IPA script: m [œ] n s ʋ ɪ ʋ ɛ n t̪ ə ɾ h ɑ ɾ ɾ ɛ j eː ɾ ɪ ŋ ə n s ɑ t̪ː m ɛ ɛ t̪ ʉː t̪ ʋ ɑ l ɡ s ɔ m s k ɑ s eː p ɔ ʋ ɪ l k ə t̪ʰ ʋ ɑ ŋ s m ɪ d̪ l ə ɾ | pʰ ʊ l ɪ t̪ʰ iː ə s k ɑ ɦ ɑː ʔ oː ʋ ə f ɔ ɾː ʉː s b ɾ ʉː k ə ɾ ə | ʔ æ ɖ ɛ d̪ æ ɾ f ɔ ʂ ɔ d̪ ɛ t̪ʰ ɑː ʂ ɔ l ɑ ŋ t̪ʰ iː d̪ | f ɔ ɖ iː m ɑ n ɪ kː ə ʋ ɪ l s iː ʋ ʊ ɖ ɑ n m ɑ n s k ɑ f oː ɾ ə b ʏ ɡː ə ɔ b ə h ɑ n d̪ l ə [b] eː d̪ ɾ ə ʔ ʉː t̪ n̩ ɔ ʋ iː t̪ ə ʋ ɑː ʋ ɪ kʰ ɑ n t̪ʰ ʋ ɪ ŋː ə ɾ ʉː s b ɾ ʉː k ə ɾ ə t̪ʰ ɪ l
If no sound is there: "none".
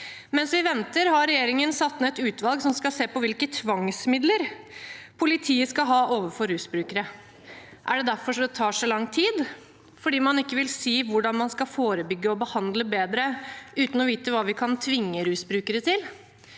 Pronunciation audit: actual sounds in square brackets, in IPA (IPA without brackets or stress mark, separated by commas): ɛ, b